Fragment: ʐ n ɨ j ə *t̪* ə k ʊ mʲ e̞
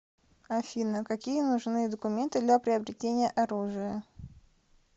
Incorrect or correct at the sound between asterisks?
incorrect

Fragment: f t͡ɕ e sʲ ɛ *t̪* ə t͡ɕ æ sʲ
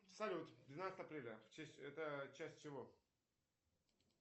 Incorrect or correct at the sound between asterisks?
correct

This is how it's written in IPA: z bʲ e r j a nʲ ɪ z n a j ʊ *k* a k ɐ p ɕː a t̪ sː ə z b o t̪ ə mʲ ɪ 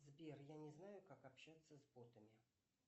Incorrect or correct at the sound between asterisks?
correct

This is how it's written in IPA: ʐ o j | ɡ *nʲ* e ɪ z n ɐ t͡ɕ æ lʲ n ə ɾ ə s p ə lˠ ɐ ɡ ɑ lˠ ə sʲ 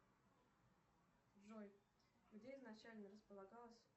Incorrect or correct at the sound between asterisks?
incorrect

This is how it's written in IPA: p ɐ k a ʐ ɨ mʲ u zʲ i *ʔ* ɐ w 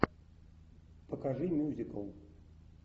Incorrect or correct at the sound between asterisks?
incorrect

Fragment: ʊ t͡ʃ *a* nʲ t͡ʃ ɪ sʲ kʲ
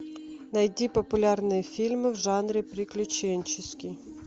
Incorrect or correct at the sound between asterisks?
incorrect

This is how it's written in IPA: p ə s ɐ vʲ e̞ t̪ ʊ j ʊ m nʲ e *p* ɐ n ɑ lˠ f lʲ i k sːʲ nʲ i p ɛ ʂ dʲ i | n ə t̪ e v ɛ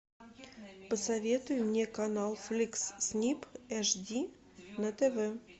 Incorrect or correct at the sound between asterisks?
incorrect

